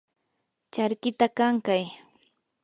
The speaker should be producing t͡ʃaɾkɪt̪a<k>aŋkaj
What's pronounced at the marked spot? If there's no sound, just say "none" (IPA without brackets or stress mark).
k